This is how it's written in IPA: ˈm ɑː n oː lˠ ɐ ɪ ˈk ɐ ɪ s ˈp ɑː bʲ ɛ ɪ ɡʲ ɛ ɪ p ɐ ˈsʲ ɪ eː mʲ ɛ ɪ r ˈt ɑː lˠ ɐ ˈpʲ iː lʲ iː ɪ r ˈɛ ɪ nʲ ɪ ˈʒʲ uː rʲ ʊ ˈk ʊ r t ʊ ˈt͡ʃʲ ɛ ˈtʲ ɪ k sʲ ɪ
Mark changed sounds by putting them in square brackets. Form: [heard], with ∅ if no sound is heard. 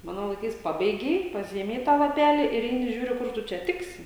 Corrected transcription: ˈm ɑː n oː lˠ ɐ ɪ ˈk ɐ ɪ s ˈp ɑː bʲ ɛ ɪ ɡʲ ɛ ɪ p ɐ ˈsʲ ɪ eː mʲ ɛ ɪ [∅] ˈt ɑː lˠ ɐ ˈpʲ [æː] lʲ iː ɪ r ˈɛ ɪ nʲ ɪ ˈʒʲ uː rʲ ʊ ˈk ʊ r t ʊ ˈt͡ʃʲ ɛ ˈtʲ ɪ k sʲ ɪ

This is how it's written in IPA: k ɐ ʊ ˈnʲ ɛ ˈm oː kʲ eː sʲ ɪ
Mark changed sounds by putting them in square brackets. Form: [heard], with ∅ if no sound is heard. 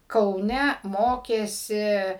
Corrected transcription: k ɐ ʊ ˈnʲ ɛ ˈm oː kʲ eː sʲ ɪ

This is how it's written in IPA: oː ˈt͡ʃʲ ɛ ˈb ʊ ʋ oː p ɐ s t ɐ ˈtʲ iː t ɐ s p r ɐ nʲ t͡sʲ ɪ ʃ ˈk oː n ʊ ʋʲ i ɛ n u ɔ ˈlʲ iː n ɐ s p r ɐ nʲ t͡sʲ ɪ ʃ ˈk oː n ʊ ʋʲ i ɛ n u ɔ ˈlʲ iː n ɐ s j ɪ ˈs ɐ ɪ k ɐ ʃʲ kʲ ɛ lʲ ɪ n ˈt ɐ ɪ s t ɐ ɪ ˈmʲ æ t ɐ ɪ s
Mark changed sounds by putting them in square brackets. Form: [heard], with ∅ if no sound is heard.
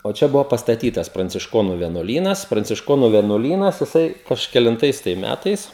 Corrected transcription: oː ˈt͡ʃʲ ɛ ˈb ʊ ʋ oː p ɐ s t ɐ ˈtʲ iː t ɐ s p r ɐ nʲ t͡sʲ ɪ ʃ ˈk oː n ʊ ʋʲ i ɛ n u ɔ ˈlʲ iː n ɐ s p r ɐ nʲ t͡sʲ ɪ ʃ ˈk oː n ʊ ʋʲ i ɛ n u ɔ ˈlʲ iː n ɐ s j ɪ ˈs ɐ ɪ k ɐ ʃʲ kʲ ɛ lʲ ɪ n ˈt ɐ ɪ s t ɐ ɪ ˈmʲ æ t ɐ ɪ s

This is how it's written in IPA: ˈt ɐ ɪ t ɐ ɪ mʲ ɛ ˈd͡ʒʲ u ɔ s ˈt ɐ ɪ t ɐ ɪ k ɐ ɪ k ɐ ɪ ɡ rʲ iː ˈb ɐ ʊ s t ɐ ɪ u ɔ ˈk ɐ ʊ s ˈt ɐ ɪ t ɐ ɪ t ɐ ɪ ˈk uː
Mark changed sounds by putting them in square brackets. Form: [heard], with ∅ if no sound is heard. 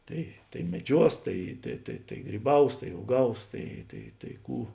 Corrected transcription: ˈt ɐ ɪ t ɐ ɪ mʲ ɛ ˈd͡ʒʲ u ɔ s ˈt ɐ ɪ t ɐ ɪ [t] ɐ ɪ [t] ɐ ɪ ɡ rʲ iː ˈb ɐ ʊ s t ɐ ɪ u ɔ [ˈɡ] ɐ ʊ s ˈt ɐ ɪ t ɐ ɪ t ɐ ɪ ˈk uː

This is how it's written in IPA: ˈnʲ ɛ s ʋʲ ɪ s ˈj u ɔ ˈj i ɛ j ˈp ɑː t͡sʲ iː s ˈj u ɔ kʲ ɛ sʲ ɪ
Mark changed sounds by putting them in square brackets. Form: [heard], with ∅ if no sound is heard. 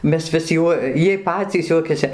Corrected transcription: [ˈmʲ] ɛ s ʋʲ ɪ s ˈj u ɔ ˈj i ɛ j ˈp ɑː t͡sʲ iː s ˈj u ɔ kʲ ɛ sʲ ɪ

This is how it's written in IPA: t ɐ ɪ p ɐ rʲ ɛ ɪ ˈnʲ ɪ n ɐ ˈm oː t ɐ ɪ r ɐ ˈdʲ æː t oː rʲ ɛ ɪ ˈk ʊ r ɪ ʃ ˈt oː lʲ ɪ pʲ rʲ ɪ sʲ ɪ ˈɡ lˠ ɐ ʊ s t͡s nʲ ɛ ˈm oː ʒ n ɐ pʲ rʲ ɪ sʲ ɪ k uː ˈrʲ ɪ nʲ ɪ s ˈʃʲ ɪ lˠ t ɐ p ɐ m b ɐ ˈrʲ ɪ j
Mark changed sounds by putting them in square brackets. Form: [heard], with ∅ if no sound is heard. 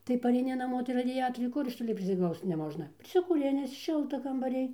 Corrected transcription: t ɐ ɪ p ɐ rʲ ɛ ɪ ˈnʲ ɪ n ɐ ˈm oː t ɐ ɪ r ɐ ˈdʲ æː t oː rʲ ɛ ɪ ˈk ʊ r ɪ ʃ ˈt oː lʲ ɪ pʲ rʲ ɪ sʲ ɪ ˈɡ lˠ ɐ ʊ s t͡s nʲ ɛ ˈm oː ʒ n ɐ pʲ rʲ ɪ sʲ ɪ k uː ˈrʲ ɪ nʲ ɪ s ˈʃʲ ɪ lˠ t ɐ [k] ɐ m b ɐ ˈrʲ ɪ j

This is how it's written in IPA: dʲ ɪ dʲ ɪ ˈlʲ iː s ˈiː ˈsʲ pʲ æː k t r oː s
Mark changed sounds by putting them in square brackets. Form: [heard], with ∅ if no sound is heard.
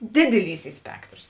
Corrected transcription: dʲ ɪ dʲ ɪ ˈlʲ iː s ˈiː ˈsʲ pʲ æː k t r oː s

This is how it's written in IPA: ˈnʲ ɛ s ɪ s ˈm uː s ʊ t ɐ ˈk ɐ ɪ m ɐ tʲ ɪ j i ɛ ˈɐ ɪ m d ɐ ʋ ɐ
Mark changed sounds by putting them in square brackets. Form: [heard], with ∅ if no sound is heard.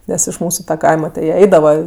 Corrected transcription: ˈnʲ ɛ s ɪ [ʃ] ˈm uː s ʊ t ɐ ˈk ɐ ɪ m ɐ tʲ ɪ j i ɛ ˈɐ ɪ [∅] d ɐ ʋ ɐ

